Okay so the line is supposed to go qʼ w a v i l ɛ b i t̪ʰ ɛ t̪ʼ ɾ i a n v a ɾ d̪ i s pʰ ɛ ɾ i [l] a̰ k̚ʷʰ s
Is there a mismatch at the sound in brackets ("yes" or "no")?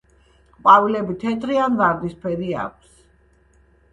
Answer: yes